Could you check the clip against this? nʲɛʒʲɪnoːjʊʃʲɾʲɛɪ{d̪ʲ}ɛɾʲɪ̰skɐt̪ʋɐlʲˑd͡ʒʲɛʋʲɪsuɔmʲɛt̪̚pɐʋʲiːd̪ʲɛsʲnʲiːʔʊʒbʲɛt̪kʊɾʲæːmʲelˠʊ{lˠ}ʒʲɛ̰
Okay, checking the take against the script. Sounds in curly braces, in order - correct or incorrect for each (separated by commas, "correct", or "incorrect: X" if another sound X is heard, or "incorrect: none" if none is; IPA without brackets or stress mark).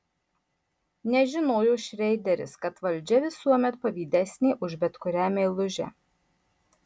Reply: correct, incorrect: none